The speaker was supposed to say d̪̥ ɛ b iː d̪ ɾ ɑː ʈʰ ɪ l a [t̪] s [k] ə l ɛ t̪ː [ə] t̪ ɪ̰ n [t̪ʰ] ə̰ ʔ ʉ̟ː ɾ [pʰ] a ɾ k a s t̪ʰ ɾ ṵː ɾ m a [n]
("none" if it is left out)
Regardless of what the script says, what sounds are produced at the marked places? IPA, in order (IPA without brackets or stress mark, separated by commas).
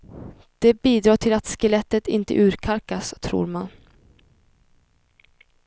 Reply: t̪, k, ə, t̪, kʰ, n